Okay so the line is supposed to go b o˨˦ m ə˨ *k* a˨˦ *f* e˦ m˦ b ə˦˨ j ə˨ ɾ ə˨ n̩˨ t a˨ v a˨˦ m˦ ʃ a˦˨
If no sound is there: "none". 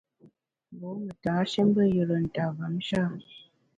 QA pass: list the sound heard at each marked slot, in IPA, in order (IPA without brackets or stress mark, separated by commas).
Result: t, ʃ